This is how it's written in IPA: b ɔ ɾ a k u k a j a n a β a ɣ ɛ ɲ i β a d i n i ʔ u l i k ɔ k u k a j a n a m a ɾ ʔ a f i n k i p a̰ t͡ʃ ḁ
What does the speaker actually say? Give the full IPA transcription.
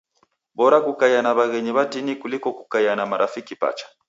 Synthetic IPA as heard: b ɔ ɾ a k u k a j a n a β a ɣ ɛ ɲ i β a d i n i k u l i k ɔ k u k a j a n a m a ɾ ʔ a f i k i p a̰ t͡ʃ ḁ